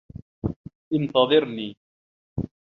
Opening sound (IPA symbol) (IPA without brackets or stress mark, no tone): ʔ